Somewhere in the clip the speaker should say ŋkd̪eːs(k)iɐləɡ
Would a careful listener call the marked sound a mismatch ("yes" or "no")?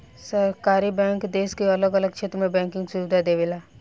no